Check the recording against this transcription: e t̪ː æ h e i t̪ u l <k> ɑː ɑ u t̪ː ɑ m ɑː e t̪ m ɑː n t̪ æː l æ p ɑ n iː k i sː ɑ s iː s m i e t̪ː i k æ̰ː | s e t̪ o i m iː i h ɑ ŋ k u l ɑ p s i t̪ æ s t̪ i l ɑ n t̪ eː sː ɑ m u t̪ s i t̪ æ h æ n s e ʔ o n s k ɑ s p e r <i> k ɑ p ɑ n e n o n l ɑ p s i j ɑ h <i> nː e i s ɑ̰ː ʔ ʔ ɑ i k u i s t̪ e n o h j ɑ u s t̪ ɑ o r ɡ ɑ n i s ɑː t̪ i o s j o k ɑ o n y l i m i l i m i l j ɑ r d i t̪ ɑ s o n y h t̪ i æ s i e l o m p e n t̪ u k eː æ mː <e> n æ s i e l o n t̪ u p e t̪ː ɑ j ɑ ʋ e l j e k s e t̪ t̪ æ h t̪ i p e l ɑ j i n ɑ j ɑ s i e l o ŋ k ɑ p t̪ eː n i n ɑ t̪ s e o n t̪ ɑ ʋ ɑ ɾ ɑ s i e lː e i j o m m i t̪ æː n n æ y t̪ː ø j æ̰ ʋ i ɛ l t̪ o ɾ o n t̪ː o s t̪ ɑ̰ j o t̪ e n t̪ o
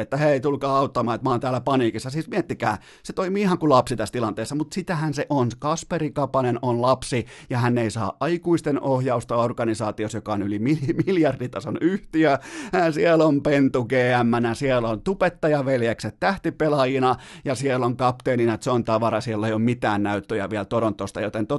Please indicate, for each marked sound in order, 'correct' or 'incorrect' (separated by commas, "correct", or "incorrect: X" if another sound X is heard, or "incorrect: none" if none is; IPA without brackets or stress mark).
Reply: correct, correct, incorrect: æ, incorrect: æ